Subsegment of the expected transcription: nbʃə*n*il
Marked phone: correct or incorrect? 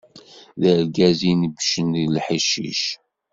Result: correct